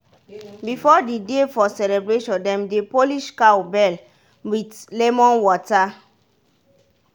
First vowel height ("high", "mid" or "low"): high